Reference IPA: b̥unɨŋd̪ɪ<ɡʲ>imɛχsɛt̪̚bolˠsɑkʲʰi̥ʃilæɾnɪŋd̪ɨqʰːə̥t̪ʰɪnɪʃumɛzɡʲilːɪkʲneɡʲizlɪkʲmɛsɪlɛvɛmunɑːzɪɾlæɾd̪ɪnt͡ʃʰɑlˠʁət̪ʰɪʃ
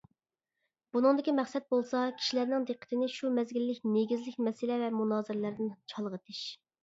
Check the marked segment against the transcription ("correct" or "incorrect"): incorrect